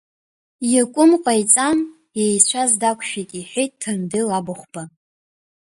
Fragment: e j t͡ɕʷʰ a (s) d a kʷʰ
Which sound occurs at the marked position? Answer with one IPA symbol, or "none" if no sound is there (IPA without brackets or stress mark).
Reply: z